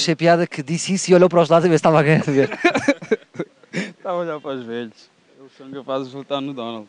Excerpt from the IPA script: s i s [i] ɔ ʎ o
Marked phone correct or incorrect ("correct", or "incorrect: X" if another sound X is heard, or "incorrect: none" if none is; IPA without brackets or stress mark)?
correct